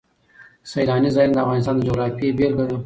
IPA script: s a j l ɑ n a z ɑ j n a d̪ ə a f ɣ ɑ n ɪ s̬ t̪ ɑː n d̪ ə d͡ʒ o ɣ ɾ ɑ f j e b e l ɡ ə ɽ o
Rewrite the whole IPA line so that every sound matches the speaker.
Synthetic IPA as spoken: s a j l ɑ n i z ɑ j n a d̪ ə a f ɣ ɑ n ɪ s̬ t̪ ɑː n d̪ ə d͡ʒ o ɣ ɾ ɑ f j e b e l ɡ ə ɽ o